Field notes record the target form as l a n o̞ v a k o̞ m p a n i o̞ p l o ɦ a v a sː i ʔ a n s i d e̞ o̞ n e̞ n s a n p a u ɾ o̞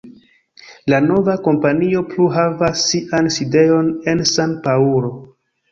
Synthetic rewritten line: l a n o̞ v a k o̞ m p a n i o̞ p l u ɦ a v a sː i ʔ a n s i d e̞ o̞ n e̞ n s a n p a u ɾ o̞

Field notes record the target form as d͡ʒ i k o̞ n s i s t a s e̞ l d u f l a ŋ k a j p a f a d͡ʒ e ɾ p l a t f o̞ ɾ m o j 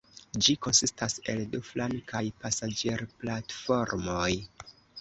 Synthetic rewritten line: d͡ʒ i k o̞ n s i s t a s e̞ l d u f l a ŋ k a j p a s a d͡ʒ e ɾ p l a t f o̞ ɾ m o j

